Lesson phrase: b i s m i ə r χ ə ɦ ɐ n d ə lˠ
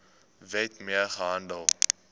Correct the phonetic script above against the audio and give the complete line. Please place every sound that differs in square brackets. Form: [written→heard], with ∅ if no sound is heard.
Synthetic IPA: [b→v] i [s→t] m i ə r χ ə ɦ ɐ n d ə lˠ